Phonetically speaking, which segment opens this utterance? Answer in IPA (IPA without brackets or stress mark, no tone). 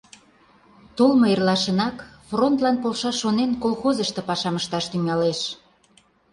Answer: t̪